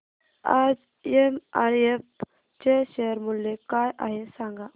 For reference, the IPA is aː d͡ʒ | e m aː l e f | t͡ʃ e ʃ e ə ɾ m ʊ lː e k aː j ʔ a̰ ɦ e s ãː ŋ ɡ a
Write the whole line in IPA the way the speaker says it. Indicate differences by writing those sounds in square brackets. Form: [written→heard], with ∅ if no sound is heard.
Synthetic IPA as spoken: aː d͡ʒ | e m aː [l→ɾ] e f | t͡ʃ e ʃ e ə ɾ m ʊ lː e k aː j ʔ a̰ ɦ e s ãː ŋ ɡ a